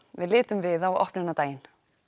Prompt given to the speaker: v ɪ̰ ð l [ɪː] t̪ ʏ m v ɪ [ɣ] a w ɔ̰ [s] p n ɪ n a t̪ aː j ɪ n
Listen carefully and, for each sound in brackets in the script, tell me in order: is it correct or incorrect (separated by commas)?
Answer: correct, incorrect, incorrect